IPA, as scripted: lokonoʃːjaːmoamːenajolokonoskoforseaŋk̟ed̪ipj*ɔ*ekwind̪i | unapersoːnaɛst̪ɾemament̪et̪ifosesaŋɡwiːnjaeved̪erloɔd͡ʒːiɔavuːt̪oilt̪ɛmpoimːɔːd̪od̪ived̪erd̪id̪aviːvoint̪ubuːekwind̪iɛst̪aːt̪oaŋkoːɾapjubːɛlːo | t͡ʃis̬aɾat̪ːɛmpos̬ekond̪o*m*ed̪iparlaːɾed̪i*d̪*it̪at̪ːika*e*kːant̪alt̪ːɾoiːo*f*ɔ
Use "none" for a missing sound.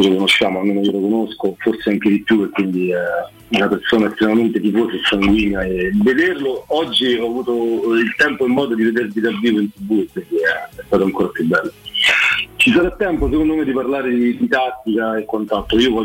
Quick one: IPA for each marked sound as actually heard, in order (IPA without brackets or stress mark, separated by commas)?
u, m, d̪, e, v